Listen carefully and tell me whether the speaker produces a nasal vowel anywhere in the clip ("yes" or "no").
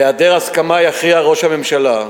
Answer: no